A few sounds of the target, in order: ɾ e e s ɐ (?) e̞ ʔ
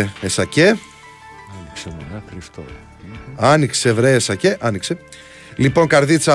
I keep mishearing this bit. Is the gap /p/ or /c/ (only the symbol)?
c